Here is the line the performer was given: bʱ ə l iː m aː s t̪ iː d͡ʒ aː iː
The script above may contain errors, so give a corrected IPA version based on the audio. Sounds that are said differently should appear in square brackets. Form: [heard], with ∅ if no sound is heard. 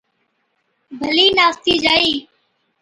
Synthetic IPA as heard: bʱ ə l iː [n] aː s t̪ iː d͡ʒ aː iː